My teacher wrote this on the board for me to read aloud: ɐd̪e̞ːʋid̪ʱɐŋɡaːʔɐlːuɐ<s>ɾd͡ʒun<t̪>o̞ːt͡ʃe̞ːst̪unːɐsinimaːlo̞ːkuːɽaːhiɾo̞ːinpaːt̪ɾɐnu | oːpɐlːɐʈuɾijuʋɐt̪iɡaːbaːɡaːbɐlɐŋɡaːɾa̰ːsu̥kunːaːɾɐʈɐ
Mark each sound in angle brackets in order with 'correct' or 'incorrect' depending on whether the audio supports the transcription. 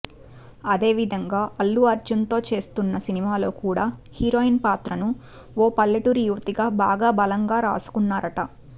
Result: incorrect, correct

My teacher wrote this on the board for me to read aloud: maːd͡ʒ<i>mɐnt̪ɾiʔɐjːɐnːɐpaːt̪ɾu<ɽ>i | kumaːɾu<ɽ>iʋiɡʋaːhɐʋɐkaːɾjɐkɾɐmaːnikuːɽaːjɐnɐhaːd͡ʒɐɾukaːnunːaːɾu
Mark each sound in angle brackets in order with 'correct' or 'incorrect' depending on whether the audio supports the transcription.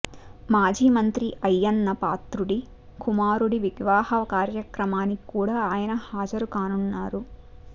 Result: incorrect, correct, correct

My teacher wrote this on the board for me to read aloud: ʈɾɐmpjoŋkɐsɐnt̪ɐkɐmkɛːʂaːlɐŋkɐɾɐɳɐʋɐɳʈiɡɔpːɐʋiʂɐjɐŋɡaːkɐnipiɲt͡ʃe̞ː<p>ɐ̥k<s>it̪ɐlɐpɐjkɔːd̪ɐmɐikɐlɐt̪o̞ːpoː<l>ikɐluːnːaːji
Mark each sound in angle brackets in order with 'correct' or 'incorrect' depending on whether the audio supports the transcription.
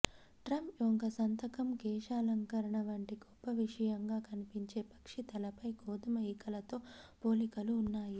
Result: correct, incorrect, correct

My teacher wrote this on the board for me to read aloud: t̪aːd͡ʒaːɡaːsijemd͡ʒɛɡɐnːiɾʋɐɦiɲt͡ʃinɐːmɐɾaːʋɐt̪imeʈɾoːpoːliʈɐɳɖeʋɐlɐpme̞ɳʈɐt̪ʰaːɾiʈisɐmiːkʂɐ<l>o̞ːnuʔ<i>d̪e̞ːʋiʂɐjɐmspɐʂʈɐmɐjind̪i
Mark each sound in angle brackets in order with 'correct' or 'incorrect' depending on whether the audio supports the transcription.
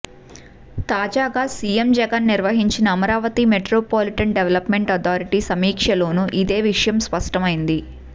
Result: correct, correct

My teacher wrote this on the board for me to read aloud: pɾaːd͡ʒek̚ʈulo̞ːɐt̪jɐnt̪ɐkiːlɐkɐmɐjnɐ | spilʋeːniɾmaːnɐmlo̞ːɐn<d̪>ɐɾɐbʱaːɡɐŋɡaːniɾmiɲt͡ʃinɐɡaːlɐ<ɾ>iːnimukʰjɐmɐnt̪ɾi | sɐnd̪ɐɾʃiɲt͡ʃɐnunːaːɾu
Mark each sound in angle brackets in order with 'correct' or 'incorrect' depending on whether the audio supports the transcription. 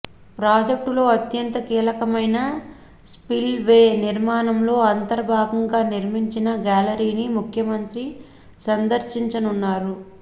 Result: incorrect, correct

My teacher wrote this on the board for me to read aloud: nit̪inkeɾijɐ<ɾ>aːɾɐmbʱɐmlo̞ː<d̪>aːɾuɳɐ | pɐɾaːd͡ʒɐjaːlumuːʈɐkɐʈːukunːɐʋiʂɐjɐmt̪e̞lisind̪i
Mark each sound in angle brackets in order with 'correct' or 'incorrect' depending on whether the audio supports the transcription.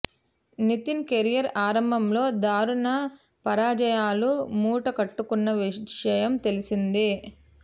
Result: correct, correct

